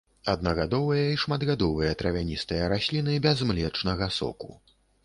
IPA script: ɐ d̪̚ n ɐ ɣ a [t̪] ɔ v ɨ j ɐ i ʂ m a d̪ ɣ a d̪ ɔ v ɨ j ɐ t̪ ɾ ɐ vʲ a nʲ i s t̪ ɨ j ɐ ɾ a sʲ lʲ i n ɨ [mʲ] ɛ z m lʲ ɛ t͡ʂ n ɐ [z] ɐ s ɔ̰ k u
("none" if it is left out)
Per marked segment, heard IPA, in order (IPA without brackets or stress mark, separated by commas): d̪, bʲ, ɣ